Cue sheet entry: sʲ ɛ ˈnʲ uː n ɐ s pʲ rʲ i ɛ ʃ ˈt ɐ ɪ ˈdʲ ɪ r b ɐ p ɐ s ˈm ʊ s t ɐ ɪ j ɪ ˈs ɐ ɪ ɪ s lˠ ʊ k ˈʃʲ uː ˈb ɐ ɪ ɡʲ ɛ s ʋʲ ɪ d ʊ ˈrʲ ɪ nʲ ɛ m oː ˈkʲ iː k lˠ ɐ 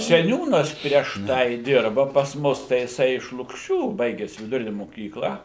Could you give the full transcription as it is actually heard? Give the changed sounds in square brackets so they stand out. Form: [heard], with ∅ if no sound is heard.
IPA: sʲ ɛ ˈnʲ uː n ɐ s pʲ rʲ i ɛ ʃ ˈt ɐ ɪ ˈdʲ ɪ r b ɐ p ɐ s ˈm ʊ s t ɐ ɪ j ɪ ˈs ɐ ɪ ɪ [ʃ] lˠ ʊ k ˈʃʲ uː ˈb ɐ ɪ ɡʲ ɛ s ʋʲ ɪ d ʊ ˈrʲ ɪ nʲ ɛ m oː ˈkʲ iː k lˠ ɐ